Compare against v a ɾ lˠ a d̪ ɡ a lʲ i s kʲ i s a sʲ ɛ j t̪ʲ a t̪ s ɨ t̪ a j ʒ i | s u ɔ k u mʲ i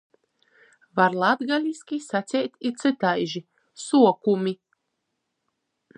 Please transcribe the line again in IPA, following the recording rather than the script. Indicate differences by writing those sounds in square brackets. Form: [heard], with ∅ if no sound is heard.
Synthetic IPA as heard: v a ɾ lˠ a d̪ ɡ a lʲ i s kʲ i s a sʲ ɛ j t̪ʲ [i] t̪ s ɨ t̪ a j ʒ i | s u ɔ k u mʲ i